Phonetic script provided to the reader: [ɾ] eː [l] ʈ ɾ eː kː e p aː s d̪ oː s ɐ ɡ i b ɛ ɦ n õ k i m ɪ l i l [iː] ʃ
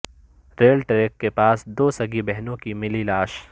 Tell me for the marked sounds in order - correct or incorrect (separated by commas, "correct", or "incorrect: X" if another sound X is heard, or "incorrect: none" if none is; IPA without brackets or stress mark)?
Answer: correct, correct, incorrect: aː